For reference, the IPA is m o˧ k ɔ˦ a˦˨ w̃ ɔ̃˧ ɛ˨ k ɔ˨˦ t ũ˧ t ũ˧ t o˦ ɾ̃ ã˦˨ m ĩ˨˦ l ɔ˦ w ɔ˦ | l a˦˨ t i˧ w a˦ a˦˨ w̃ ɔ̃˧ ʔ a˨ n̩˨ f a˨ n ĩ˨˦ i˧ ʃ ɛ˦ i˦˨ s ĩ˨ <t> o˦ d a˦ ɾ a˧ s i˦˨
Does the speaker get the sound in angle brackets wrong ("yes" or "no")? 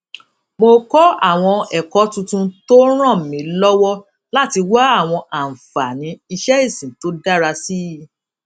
no